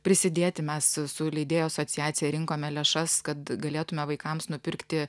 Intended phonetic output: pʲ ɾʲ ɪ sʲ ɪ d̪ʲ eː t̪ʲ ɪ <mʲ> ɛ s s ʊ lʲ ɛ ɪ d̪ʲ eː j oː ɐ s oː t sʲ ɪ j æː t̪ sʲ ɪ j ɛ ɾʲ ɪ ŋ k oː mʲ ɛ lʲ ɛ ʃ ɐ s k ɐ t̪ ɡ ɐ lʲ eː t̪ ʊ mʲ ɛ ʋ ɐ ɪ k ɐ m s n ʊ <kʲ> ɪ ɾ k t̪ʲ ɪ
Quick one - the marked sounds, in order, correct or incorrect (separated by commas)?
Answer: correct, incorrect